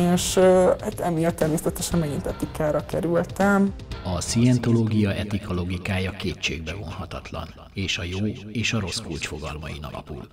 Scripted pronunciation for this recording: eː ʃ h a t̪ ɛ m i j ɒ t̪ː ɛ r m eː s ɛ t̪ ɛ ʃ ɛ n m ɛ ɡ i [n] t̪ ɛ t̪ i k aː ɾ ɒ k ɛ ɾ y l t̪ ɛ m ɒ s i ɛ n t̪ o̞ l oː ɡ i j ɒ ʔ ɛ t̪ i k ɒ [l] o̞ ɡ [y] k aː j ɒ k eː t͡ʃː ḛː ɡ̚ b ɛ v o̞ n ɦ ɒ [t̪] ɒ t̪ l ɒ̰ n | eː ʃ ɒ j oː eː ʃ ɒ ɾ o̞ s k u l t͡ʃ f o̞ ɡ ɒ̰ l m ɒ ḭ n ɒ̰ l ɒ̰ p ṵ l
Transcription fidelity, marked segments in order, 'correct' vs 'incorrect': correct, correct, incorrect: i, correct

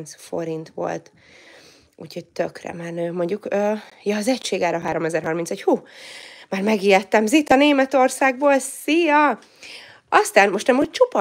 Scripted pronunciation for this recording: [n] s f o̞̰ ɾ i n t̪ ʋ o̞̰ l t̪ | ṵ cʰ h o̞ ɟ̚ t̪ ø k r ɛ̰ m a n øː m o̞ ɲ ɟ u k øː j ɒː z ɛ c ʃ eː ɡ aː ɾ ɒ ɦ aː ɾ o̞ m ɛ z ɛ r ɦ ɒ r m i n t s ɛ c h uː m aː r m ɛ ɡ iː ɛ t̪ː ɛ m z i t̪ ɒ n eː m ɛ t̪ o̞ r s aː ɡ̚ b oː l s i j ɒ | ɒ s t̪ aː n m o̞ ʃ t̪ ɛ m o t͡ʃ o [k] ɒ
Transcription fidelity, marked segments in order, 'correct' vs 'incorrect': correct, incorrect: p

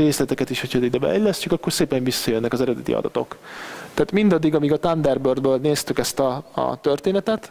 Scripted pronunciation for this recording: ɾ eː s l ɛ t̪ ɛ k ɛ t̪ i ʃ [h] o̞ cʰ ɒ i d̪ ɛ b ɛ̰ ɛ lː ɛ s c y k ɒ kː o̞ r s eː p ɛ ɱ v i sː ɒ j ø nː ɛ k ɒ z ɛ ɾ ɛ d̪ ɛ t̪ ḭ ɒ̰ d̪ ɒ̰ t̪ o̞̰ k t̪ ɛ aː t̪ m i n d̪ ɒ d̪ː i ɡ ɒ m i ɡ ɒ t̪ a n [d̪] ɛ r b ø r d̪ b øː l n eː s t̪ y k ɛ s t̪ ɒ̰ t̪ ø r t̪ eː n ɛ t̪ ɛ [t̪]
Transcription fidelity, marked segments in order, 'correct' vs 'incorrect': correct, correct, correct

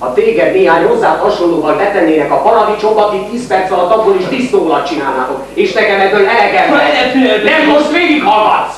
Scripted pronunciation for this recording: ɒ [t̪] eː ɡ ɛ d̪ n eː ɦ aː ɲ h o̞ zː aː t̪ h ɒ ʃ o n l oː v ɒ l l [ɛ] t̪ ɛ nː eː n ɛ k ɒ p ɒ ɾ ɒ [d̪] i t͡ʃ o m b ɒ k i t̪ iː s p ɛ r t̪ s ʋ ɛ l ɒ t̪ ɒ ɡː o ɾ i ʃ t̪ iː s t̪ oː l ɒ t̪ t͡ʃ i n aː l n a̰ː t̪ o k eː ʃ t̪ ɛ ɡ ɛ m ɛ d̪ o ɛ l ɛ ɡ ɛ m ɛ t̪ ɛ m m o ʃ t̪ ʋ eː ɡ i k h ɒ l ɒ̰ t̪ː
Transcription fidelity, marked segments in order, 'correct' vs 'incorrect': correct, correct, correct

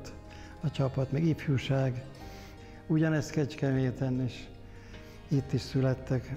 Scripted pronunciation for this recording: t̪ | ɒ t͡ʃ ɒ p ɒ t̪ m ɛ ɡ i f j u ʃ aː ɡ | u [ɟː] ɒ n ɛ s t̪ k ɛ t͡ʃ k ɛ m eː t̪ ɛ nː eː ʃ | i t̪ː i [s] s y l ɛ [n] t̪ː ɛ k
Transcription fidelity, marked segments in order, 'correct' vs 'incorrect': incorrect: ɟ, incorrect: ʃ, incorrect: none

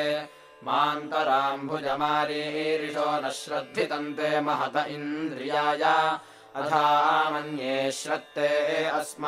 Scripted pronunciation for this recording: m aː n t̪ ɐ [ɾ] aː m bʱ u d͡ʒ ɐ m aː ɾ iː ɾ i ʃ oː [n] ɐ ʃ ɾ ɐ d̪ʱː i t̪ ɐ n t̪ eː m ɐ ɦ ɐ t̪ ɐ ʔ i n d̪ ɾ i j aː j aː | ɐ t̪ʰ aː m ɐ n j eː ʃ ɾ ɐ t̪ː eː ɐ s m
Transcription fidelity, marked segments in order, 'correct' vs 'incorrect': correct, correct

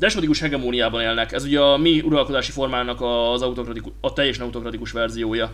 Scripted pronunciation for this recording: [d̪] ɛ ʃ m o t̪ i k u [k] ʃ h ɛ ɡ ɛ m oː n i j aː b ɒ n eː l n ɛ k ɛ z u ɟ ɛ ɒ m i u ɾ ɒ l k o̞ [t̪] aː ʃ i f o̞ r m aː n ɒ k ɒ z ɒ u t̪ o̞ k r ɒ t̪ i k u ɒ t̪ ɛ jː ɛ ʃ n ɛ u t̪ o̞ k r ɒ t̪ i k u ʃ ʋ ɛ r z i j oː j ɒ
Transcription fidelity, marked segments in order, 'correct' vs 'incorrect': correct, incorrect: none, incorrect: d̪

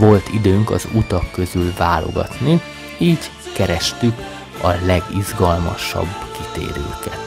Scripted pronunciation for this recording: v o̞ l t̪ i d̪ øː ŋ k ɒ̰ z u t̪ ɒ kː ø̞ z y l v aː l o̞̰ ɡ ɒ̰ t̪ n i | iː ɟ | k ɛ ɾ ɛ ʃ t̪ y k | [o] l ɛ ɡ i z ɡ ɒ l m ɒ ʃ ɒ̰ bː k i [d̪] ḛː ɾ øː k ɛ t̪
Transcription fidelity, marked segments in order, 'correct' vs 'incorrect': incorrect: ɒ, incorrect: t̪

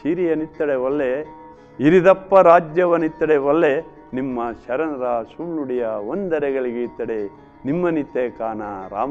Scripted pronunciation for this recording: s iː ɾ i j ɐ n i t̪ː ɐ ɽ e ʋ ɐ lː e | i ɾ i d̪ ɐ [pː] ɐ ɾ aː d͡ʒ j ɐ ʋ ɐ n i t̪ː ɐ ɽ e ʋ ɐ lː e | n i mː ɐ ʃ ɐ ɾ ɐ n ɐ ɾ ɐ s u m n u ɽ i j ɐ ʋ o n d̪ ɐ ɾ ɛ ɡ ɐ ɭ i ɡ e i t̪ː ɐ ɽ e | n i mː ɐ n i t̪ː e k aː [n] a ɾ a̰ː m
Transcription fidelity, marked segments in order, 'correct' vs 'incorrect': correct, correct

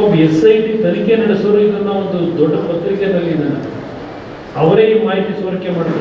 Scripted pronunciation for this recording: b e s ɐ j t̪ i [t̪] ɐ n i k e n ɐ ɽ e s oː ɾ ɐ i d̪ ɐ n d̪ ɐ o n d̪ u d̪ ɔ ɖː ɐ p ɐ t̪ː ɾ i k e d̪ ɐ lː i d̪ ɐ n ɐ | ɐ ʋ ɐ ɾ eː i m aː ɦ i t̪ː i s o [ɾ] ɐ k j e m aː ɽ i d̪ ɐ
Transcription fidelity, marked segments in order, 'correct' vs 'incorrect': correct, correct

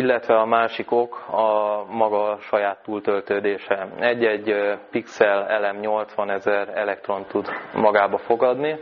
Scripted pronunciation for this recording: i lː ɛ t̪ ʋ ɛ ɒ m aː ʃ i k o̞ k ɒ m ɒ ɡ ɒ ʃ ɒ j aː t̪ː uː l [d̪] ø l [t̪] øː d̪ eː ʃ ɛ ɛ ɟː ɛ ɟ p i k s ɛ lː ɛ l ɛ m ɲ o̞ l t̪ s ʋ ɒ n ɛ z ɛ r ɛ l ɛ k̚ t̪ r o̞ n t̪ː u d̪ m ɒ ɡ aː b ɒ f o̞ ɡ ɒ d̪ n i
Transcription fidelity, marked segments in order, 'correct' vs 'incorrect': incorrect: t̪, correct

